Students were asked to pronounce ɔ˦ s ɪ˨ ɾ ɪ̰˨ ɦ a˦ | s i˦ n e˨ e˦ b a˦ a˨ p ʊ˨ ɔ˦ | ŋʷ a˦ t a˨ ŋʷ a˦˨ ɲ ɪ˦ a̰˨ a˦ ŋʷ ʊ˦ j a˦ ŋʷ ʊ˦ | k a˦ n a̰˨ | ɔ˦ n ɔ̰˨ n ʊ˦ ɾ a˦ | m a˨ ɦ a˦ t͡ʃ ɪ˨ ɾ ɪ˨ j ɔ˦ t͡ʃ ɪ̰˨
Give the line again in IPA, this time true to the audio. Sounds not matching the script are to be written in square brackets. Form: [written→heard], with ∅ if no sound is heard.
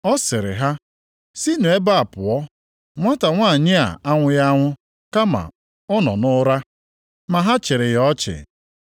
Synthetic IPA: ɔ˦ s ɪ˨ ɾ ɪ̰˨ ɦ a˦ | s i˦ n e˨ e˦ b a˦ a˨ p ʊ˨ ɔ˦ | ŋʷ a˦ t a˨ ŋʷ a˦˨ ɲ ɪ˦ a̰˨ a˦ ŋʷ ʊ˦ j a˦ ŋʷ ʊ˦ | k a˦ [n→m] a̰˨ | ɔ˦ n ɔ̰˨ n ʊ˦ ɾ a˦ | m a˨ ɦ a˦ t͡ʃ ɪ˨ ɾ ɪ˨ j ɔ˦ t͡ʃ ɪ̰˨